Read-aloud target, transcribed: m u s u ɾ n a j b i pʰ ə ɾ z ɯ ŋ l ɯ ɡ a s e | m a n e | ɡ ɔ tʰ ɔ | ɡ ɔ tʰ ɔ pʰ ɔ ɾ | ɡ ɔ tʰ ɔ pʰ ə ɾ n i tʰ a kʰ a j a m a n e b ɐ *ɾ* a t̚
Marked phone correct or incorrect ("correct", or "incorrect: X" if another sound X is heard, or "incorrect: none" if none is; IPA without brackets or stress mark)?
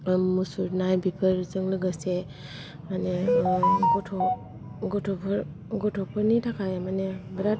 correct